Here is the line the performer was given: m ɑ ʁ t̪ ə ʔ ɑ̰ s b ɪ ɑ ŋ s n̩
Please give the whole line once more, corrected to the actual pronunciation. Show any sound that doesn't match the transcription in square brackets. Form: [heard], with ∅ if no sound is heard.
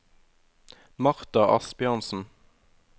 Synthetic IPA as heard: m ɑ ʁ t̪ [ɑ] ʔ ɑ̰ s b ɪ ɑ [n] s n̩